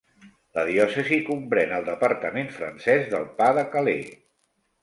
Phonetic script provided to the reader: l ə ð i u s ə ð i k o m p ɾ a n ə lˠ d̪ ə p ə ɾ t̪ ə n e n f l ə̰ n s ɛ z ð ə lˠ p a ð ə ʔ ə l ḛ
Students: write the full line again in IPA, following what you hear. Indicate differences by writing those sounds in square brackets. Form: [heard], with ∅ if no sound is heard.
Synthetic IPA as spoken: l ə ð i [ɔ] s ə [z] i k [u] m p ɾ [ɛ] n ə lˠ d̪ ə p ə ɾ t̪ ə [m] e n f [ɾ] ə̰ n s ɛ z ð ə lˠ p a ð ə [k] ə l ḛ

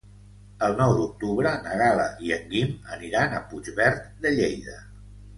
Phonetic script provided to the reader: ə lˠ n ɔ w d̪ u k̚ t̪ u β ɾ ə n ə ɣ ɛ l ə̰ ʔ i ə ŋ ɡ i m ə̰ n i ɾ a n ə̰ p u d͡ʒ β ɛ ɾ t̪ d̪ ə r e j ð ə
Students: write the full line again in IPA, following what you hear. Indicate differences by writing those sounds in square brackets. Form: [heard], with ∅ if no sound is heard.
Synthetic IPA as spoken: ə lˠ n ɔ w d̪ u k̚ t̪ u β ɾ ə n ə ɣ [a] l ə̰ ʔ i ə ŋ ɡ i m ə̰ n i ɾ a n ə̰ p u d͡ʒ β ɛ ɾ t̪ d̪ ə [ʎ] e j ð ə

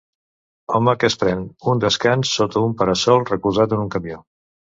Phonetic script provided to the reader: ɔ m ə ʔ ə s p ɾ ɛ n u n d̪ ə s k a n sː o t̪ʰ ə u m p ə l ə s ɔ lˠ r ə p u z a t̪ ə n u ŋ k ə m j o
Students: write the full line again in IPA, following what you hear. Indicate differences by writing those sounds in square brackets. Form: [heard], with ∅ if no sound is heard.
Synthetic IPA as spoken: ɔ m ə [k] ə s p ɾ ɛ n u n d̪ ə s k a n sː o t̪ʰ ə u m p ə [ɾ] ə s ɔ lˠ r ə [k] u z a t̪ ə n u ŋ k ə m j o

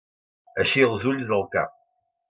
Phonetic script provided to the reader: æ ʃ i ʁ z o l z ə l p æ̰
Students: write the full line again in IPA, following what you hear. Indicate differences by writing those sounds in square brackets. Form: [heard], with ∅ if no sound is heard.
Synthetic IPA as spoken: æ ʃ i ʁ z [u] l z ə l [k] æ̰

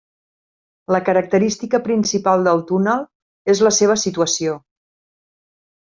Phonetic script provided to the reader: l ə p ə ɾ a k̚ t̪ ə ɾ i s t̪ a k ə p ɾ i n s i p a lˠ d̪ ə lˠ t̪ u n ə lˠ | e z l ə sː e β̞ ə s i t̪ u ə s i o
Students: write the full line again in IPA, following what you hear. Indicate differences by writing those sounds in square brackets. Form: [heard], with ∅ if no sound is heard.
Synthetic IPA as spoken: l ə [k] ə ɾ [ə] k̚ t̪ ə ɾ i s t̪ [i] k ə p ɾ i n s i p a lˠ d̪ ə lˠ t̪ u n ə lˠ | e z l ə [s] e β̞ ə s i t̪ u ə s i o

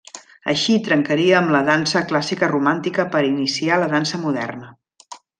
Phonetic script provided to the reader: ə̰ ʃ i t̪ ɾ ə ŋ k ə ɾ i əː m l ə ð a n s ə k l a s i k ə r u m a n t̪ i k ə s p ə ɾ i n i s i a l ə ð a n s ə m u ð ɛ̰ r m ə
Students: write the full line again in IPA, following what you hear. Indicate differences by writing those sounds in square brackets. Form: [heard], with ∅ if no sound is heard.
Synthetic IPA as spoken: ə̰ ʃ i t̪ ɾ ə ŋ k ə ɾ i əː m l ə ð a n s ə k l a s i k ə r u m a n t̪ i k ə [∅] p ə ɾ i n i s i a l ə ð a n s ə m u ð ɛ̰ r [n] ə

